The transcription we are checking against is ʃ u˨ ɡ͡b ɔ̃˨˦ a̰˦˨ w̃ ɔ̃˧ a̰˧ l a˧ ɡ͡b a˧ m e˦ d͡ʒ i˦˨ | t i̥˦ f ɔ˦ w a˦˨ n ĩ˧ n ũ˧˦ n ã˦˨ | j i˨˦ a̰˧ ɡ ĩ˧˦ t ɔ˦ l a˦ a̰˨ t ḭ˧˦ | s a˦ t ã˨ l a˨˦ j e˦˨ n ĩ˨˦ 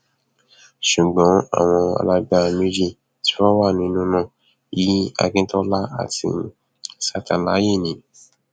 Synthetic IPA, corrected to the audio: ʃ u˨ ɡ͡b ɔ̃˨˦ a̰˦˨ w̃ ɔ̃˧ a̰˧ l a˧ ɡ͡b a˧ m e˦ d͡ʒ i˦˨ | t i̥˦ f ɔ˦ w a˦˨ n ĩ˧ n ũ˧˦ n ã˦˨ | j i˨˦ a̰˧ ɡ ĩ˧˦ t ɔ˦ l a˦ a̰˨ t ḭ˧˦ | s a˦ t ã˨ l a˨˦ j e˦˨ n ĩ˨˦